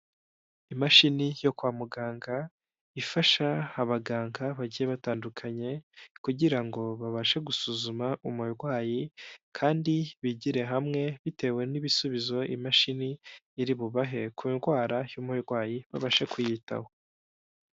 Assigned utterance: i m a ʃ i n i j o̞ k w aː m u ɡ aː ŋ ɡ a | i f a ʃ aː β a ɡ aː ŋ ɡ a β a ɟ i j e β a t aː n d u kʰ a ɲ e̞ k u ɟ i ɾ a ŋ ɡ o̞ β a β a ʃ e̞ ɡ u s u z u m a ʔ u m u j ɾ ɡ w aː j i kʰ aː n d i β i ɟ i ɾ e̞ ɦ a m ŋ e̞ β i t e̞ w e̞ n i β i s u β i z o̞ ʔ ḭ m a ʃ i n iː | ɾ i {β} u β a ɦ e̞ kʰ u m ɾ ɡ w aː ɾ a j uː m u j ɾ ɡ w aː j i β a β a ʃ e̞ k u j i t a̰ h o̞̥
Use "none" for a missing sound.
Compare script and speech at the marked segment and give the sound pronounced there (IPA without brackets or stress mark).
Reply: β